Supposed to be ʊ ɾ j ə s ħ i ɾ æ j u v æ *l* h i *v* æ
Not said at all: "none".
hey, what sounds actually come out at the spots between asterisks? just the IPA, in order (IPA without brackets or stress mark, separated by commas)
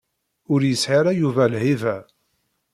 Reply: l, v